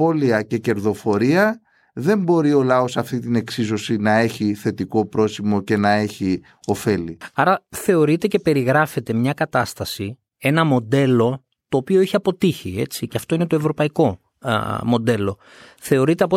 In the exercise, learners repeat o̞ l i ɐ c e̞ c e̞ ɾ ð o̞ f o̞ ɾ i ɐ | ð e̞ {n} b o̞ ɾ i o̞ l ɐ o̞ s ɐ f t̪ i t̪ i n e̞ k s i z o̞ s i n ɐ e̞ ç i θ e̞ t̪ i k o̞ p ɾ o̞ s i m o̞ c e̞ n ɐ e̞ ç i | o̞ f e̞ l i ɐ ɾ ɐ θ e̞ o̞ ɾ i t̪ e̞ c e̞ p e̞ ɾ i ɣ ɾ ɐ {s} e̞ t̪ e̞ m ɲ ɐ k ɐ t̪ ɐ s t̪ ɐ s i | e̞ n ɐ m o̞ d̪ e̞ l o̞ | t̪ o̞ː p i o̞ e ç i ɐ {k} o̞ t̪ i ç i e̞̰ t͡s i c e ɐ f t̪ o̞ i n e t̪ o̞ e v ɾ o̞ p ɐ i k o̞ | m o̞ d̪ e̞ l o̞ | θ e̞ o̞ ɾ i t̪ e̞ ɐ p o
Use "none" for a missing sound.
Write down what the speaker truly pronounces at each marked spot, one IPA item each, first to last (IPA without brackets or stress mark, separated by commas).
m, f, p